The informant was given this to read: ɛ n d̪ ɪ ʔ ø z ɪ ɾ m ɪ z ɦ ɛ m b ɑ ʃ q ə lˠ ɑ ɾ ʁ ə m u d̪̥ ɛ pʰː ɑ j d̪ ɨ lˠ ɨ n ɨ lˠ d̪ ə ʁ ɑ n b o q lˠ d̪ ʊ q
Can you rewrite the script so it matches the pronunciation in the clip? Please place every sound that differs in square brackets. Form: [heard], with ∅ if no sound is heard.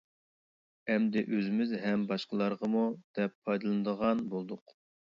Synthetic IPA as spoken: ɛ [m] d̪ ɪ ʔ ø z ɪ [∅] m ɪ z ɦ ɛ m b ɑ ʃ q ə lˠ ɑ ɾ ʁ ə m u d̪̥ ɛ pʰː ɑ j d̪ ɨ lˠ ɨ n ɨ [∅] d̪ ə ʁ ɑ n b o [∅] lˠ d̪ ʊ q